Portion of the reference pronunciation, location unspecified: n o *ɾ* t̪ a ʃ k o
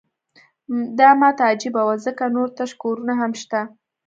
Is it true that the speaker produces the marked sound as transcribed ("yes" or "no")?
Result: yes